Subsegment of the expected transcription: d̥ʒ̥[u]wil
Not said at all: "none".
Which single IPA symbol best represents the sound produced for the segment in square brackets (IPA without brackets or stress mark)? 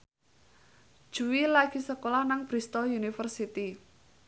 u